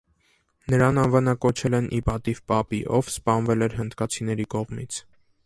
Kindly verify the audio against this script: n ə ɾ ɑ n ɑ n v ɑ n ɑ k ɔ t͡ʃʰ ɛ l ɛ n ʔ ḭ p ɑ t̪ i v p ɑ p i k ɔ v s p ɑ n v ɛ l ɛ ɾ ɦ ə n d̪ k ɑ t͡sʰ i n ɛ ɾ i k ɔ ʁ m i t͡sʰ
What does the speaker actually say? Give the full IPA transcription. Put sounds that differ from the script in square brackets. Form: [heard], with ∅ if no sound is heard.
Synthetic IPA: n ə ɾ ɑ n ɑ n v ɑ n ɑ k ɔ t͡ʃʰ ɛ l ɛ n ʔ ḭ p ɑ t̪ i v p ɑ p i [ʔ] ɔ v s p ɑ n v ɛ l ɛ ɾ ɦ ə n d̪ k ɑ t͡sʰ i n ɛ ɾ i k ɔ ʁ m i t͡sʰ

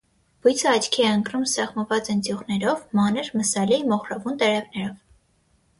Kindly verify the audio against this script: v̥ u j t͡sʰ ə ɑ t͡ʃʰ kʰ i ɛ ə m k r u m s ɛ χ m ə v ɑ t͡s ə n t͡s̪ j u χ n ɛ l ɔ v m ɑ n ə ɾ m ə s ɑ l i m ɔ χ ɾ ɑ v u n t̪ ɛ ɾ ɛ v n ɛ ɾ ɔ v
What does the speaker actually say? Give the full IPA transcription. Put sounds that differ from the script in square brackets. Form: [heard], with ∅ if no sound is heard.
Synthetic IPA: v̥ u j t͡sʰ ə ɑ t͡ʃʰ kʰ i ɛ ə [ŋ] k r u m s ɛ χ m ə v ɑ t͡s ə n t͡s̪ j u [ʁ] n ɛ [ɾ] ɔ v m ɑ n ə ɾ m ə s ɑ l i m ɔ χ ɾ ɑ v u n t̪ ɛ ɾ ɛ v n ɛ ɾ ɔ v

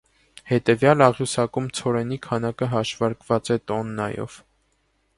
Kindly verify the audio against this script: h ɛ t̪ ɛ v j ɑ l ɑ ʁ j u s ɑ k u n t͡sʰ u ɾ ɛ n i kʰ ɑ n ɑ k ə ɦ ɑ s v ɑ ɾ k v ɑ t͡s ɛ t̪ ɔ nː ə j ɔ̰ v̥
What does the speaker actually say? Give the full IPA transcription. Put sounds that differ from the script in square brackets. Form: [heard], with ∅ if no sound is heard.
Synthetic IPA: h ɛ t̪ ɛ v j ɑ l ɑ ʁ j u s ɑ k u [m] t͡sʰ [ɔ] ɾ ɛ n i kʰ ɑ n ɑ k ə ɦ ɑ [ʃ] v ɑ ɾ k v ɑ t͡s ɛ t̪ ɔ nː [ɑ] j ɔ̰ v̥

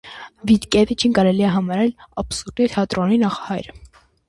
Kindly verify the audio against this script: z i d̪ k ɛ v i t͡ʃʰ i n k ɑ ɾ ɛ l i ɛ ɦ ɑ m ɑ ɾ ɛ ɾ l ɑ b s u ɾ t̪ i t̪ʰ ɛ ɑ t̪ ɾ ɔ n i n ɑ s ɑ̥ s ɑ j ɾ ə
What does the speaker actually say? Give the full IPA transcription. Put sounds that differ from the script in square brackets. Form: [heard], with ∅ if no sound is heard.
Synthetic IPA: [v] i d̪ k ɛ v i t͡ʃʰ i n k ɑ ɾ ɛ l i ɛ ɦ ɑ m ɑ ɾ ɛ [∅] l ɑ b s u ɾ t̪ i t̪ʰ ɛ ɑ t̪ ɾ ɔ n i n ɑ [χ] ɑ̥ [h] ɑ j ɾ ə

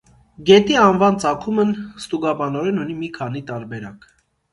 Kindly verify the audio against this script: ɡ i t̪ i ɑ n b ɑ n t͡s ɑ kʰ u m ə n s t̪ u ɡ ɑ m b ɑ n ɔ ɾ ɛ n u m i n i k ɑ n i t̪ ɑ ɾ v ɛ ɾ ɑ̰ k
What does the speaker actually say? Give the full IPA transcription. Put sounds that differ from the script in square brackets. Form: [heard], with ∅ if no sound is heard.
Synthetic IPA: ɡ [ɛ] t̪ i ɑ n [v] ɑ n t͡s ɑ kʰ u m ə n s t̪ u ɡ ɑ [∅] b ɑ n ɔ ɾ ɛ n u [n] i [m] i [kʰ] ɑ n i t̪ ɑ ɾ [b] ɛ ɾ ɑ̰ k

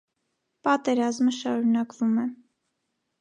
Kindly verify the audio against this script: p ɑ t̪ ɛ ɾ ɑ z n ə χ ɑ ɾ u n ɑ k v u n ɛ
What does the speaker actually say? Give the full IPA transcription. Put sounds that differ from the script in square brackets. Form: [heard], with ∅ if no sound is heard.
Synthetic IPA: p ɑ t̪ ɛ ɾ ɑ z [m] ə [ʃ] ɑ ɾ u n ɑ k v u [m] ɛ

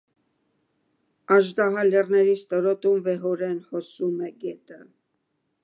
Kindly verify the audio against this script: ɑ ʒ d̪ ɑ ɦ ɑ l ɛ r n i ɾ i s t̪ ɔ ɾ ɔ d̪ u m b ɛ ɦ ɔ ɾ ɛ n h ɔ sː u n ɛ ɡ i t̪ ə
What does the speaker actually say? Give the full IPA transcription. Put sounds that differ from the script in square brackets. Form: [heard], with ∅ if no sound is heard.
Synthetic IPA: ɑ ʒ d̪ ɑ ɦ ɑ l ɛ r n [ɛ] ɾ i s t̪ ɔ ɾ ɔ [t̪] u m [v] ɛ ɦ ɔ ɾ ɛ n h ɔ [s] u [m] ɛ ɡ [ɛ] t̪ ə

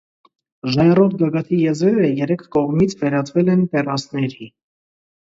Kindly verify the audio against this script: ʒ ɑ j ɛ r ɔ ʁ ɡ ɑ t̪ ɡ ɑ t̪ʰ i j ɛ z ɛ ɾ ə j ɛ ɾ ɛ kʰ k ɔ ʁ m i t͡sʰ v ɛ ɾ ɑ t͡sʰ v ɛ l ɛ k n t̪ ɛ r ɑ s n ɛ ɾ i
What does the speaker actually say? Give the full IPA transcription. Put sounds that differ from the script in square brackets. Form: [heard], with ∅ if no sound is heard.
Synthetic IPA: ʒ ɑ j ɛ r ɔ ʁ ɡ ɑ [∅] ɡ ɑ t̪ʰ i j ɛ z ɛ ɾ ə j ɛ ɾ ɛ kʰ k ɔ ʁ m i t͡sʰ v ɛ ɾ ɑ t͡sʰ v ɛ l ɛ [∅] n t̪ ɛ r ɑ s n ɛ ɾ i

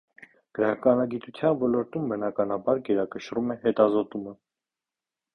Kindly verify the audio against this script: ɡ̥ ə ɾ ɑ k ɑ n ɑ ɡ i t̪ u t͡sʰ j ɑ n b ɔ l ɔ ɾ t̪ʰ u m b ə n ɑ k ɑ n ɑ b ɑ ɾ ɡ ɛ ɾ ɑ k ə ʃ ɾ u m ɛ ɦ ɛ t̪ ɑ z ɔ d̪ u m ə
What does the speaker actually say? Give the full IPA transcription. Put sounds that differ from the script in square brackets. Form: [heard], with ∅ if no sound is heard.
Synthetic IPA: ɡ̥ ə ɾ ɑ k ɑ n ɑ ɡ i t̪ u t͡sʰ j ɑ n [v] ɔ l ɔ ɾ [t̪] u m b ə n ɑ k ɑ n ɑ b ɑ ɾ ɡ ɛ ɾ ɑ k ə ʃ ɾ u m ɛ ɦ ɛ t̪ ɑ z ɔ [t̪] u m ə

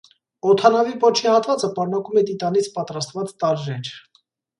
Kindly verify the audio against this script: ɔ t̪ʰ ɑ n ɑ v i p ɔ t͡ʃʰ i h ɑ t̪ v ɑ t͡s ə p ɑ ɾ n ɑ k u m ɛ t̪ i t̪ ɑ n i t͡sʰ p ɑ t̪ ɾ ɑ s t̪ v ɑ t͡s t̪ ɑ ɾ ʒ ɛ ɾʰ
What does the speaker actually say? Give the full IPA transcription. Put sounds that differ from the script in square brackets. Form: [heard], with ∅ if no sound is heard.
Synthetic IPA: ɔ t̪ʰ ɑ n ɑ v i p ɔ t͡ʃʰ i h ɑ t̪ v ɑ t͡s ə p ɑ ɾ n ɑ k u m ɛ t̪ i t̪ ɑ n i t͡sʰ p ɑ t̪ ɾ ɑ s t̪ v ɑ t͡s t̪ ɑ ɾ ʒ ɛ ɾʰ

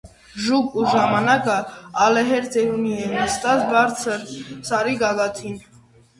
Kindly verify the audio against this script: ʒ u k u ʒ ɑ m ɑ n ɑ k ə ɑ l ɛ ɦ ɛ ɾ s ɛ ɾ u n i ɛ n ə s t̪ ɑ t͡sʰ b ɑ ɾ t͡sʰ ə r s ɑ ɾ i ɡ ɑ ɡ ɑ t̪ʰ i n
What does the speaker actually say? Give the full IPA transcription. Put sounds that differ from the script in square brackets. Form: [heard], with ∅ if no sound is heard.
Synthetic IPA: ʒ u k u ʒ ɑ m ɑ n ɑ k ə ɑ l ɛ ɦ ɛ ɾ [t͡s] ɛ ɾ u n i ɛ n ə s t̪ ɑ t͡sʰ b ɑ ɾ t͡sʰ ə [ɾ] s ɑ ɾ i ɡ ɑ ɡ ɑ t̪ʰ i n

